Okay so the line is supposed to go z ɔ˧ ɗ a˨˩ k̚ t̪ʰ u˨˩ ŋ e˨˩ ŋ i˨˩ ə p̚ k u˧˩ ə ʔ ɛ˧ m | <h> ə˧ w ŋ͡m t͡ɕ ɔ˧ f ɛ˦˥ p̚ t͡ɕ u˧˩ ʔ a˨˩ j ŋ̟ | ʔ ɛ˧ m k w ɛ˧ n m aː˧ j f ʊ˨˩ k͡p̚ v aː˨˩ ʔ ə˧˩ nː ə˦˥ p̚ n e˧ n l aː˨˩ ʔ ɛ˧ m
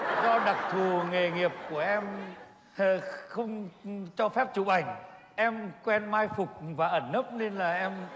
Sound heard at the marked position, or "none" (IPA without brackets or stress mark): x